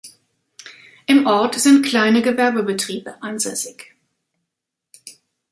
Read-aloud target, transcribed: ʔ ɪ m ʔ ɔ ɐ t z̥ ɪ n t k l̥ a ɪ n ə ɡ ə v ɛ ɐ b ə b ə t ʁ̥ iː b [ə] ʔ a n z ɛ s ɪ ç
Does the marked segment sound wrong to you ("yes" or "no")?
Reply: no